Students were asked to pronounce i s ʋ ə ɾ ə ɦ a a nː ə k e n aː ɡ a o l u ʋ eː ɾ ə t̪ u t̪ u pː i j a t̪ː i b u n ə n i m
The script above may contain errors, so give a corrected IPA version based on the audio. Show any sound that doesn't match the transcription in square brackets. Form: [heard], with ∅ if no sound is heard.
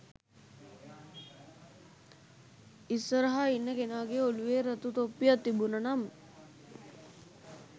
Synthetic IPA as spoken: i s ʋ ə ɾ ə ɦ a [i] nː ə k e n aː ɡ [e] o l u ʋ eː ɾ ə t̪ u t̪ [o] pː i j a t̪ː i b u n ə n [a] m